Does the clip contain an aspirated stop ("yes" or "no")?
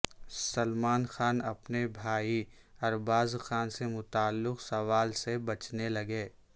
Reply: no